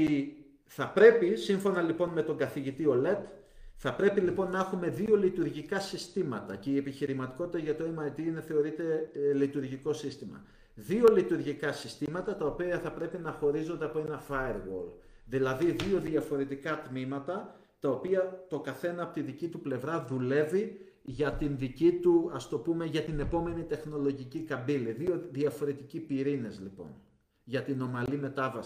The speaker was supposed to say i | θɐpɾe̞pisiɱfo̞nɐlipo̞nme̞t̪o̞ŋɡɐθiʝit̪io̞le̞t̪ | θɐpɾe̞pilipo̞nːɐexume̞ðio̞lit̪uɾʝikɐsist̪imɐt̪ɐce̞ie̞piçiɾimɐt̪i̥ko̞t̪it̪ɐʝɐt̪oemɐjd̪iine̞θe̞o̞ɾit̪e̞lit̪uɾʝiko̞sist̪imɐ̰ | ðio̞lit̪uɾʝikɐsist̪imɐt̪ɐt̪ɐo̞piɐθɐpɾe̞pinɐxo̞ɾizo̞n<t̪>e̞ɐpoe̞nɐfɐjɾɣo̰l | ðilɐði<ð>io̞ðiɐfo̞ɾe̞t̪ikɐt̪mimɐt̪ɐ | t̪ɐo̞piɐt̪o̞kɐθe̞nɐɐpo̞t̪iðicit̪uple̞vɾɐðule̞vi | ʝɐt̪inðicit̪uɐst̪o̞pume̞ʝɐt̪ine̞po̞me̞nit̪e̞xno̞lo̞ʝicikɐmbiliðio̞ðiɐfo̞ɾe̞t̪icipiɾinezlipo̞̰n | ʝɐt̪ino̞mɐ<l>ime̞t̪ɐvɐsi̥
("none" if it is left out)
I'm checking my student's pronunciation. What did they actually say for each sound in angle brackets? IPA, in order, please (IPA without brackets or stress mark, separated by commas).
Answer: d̪, ð, l